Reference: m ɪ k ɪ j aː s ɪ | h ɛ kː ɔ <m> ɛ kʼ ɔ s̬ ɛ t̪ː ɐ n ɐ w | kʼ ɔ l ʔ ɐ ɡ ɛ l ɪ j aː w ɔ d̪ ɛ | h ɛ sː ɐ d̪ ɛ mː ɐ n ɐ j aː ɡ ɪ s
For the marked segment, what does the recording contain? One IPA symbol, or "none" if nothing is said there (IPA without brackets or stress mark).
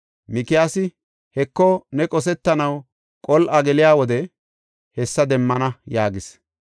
n